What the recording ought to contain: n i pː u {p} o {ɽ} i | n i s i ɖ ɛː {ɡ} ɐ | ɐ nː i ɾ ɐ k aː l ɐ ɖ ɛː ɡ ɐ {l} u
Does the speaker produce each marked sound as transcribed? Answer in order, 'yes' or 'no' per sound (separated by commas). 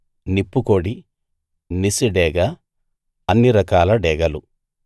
no, yes, yes, yes